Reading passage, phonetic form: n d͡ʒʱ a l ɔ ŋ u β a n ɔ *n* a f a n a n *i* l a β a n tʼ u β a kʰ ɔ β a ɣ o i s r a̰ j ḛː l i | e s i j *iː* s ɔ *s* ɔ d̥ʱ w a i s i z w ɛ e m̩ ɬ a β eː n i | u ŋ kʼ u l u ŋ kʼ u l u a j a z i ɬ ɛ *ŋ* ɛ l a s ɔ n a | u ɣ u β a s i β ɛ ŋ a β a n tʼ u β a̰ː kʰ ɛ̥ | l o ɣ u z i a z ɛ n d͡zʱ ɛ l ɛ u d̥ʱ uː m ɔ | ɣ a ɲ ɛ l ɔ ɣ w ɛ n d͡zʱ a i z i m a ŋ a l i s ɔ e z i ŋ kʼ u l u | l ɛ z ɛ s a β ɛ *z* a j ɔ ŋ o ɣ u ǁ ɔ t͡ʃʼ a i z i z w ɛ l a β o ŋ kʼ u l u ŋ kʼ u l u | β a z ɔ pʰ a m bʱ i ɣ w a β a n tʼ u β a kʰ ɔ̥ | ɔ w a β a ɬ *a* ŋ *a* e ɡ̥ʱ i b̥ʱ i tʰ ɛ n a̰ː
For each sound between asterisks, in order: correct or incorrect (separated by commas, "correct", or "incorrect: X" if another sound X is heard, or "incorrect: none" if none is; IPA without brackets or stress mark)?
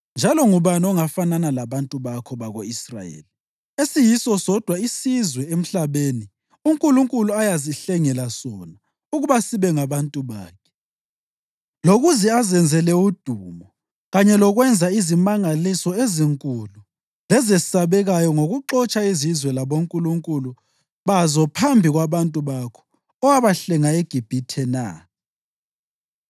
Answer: incorrect: ŋ, incorrect: a, incorrect: i, correct, correct, incorrect: ɣ, incorrect: ɛ, correct